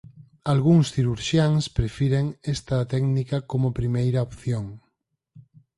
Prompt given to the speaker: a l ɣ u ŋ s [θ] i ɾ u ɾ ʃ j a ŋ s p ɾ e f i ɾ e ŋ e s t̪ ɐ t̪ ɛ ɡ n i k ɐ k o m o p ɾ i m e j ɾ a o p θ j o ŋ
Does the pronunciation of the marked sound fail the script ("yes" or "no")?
no